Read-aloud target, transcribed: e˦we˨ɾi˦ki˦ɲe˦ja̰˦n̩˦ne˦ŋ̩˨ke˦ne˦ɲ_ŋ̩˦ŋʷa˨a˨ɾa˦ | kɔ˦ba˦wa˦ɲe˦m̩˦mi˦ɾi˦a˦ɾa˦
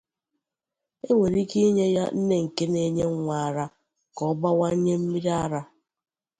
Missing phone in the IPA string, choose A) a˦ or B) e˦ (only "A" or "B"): B